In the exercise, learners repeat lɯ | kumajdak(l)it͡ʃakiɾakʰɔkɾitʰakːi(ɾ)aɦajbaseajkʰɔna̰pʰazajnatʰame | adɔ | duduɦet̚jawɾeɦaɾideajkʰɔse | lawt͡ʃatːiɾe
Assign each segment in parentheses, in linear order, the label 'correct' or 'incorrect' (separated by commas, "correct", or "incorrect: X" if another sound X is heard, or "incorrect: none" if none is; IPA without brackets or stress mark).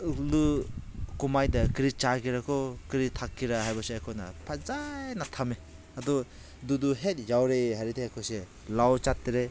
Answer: incorrect: ɾ, correct